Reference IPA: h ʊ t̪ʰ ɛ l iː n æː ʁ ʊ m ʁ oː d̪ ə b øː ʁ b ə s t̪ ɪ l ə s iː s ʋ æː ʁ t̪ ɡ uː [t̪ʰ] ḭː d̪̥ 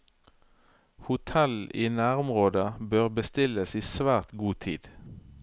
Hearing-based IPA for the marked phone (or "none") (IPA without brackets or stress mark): t̪ʰ